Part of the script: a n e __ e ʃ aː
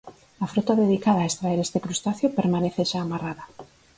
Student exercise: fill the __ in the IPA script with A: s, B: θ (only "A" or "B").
B